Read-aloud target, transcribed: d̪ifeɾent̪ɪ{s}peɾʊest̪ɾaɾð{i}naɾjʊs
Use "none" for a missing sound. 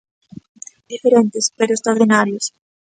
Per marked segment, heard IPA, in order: s, i

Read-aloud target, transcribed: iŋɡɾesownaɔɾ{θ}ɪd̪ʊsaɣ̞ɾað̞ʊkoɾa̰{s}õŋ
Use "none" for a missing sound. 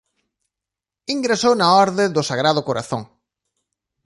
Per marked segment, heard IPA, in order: ð, θ

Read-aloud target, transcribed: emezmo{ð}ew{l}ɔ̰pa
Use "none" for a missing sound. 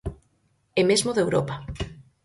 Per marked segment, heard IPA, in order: ð, ɾ

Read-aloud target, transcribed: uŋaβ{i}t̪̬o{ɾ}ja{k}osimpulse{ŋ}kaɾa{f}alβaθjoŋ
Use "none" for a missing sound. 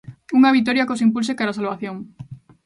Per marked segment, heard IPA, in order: i, ɾ, k, none, s

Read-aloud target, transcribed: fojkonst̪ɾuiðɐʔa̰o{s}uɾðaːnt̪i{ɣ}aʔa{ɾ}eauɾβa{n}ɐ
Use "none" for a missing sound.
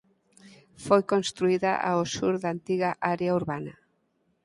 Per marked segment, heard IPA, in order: s, ɣ, ɾ, n

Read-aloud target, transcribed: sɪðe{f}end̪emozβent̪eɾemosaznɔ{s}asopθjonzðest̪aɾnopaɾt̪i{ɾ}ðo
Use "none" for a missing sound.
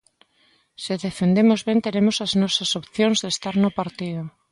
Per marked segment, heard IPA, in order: f, s, none

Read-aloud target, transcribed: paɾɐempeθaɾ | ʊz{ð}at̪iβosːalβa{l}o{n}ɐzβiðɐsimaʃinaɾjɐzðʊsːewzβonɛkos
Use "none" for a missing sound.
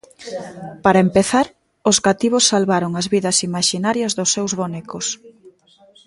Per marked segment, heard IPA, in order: ɣ, ɾ, ŋ

